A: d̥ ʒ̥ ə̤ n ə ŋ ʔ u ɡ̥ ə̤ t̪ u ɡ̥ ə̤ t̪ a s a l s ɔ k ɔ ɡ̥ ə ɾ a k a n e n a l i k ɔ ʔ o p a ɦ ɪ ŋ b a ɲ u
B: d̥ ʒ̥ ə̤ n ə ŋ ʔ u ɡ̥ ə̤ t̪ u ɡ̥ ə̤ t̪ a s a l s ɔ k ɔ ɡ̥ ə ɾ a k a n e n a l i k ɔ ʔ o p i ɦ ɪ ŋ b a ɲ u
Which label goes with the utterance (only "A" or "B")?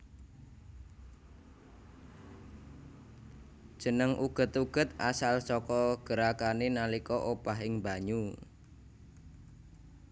A